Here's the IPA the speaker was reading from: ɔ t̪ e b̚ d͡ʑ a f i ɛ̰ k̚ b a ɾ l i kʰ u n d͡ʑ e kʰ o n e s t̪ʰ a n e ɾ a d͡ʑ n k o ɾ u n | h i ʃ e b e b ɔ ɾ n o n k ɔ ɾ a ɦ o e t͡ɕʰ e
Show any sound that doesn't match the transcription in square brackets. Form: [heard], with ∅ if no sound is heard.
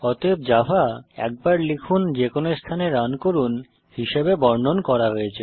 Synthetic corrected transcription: ɔ t̪ e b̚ d͡ʑ a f [a] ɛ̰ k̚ b a ɾ l i kʰ u n d͡ʑ e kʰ o n e s t̪ʰ a n e ɾ a [∅] n k o ɾ u n | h i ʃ e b e b ɔ ɾ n o n k ɔ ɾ a ɦ o e t͡ɕʰ e